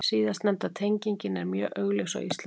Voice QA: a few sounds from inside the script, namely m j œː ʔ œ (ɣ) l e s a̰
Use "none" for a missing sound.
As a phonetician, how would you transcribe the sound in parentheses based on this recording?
ɣ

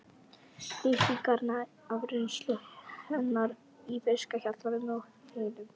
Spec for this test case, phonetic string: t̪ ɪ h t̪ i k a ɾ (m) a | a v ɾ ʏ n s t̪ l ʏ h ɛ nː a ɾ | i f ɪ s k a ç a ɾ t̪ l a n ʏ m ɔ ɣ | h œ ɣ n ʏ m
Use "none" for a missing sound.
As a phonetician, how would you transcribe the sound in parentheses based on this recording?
n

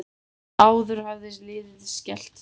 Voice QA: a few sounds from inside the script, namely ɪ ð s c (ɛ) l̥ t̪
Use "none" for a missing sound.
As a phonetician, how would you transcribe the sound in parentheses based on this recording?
ɛ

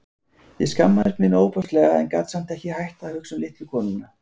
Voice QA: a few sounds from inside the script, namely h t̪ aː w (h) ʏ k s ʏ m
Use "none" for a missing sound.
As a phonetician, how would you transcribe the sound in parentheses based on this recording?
h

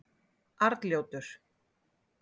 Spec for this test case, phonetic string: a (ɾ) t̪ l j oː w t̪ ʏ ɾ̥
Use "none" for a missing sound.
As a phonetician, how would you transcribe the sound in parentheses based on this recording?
ɾ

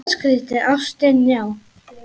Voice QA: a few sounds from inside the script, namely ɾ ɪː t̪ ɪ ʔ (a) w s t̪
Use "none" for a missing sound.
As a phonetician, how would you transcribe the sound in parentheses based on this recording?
a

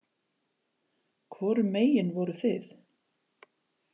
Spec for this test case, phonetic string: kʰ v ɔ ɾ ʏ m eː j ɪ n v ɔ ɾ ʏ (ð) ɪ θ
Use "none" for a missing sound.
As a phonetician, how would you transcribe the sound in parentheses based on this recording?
θ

